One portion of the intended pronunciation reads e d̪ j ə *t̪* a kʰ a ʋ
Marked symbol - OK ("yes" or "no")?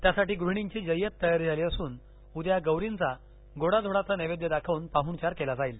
no